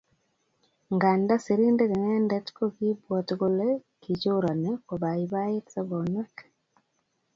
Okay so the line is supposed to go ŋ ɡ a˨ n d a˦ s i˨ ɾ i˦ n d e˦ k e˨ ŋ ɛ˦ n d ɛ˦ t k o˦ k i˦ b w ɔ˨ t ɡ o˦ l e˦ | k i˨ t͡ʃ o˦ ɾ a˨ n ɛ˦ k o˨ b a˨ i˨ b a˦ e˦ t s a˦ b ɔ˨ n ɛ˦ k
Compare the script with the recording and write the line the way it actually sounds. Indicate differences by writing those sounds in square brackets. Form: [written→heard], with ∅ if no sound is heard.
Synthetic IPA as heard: ŋ ɡ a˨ n d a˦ s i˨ ɾ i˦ n d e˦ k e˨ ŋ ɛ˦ n d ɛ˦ t k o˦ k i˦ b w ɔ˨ t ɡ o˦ l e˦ | k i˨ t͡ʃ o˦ ɾ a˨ n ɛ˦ k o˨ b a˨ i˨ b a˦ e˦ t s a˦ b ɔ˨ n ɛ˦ k